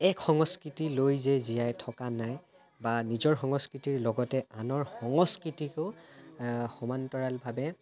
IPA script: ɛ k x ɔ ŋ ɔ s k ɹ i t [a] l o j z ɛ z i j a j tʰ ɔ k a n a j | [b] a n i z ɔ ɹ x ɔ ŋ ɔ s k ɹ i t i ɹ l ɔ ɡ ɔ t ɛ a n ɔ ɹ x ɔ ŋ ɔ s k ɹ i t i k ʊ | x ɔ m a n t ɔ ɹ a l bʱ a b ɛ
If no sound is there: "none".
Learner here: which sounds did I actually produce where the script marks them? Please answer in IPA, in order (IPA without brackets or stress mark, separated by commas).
i, b